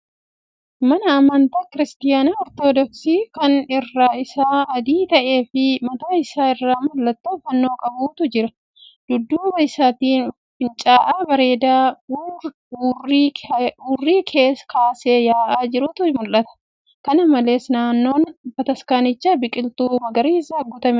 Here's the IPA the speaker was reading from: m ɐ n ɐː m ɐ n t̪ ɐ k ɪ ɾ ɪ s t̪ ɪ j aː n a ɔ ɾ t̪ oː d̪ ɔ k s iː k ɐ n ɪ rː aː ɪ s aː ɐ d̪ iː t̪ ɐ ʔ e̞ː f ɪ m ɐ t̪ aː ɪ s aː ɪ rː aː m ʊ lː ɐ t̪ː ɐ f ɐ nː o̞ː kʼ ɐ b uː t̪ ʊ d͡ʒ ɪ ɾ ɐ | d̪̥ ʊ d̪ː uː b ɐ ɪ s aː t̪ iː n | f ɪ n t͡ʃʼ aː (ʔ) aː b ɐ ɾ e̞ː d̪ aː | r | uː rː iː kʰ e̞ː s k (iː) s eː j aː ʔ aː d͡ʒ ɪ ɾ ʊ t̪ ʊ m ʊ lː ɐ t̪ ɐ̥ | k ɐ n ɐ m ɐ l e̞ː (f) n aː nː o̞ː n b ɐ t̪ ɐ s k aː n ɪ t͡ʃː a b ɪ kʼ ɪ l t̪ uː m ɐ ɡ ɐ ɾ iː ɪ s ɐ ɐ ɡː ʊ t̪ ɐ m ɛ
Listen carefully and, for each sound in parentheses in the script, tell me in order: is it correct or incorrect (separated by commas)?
correct, incorrect, incorrect